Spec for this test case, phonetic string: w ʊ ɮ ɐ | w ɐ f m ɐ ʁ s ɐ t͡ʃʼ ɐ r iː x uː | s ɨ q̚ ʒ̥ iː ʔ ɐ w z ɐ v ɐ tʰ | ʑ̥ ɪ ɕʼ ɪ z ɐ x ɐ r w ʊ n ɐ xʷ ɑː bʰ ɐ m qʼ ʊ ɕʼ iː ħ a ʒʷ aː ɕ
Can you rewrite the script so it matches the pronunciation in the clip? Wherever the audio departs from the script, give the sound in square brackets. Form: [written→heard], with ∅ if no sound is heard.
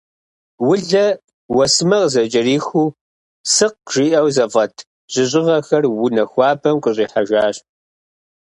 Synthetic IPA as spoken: w ʊ ɮ ɐ | w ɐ [f→s] m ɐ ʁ [s→z] ɐ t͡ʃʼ ɐ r iː x uː | s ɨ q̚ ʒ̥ iː ʔ ɐ w z ɐ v ɐ tʰ | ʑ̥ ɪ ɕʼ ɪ [z→ʁ] ɐ x ɐ r w ʊ n ɐ xʷ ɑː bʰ ɐ m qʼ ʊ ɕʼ iː ħ a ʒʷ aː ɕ